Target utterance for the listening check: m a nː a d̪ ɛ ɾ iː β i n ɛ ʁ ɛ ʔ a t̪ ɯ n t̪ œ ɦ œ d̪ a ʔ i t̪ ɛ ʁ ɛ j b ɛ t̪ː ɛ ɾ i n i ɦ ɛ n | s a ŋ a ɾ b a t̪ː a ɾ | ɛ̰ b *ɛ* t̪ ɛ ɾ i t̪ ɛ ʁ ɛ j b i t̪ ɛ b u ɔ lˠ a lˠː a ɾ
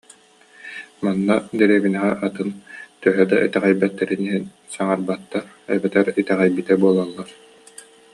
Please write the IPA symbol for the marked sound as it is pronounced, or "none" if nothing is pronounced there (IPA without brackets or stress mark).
ɛ